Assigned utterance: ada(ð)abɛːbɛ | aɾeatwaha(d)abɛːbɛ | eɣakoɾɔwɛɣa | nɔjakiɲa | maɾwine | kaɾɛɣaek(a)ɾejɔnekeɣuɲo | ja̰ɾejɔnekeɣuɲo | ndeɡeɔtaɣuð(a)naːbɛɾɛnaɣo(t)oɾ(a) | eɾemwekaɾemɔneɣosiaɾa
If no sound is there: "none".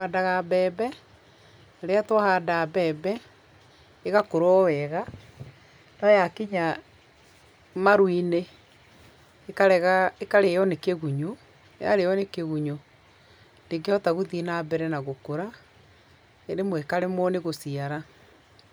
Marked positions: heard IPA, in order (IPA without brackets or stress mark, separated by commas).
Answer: ɣ, d, a, i, k, a